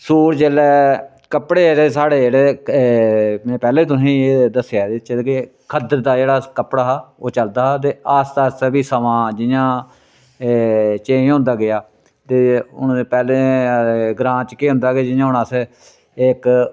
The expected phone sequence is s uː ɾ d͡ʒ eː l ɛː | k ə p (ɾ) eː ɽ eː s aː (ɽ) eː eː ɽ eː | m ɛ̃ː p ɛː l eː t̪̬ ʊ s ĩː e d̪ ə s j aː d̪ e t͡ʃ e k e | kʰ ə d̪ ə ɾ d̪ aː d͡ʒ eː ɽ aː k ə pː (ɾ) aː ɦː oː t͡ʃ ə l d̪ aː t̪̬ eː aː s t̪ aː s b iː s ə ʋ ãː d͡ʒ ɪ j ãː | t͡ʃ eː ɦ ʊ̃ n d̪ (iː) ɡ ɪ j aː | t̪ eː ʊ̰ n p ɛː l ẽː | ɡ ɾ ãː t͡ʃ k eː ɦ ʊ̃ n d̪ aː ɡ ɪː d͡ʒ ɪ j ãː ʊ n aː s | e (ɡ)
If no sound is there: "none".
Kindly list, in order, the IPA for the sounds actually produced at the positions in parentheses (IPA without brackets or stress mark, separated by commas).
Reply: ɽ, ɽ, ɽ, aː, k